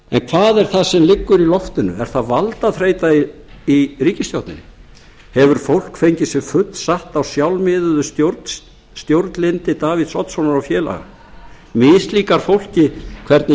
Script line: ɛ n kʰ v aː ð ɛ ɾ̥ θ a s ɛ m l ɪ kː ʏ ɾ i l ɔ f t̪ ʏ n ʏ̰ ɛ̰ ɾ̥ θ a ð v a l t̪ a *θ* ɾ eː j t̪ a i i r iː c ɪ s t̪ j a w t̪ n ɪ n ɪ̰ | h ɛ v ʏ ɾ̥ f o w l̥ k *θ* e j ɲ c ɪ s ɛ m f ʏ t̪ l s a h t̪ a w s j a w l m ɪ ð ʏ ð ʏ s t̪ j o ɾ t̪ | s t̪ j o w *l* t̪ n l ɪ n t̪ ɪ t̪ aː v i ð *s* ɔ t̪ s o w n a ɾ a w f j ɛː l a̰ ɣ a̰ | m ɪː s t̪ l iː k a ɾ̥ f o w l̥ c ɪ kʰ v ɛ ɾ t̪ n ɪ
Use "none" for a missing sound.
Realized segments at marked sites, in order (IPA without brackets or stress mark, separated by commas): θ, f, ɾ, s